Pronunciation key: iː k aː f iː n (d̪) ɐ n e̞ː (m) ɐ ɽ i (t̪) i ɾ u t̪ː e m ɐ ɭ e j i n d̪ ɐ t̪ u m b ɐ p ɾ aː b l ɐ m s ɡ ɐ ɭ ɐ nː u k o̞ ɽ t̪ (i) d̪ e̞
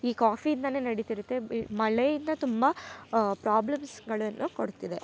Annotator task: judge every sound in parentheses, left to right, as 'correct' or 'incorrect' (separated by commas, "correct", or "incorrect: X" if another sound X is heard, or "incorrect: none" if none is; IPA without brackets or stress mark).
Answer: correct, incorrect: n, correct, correct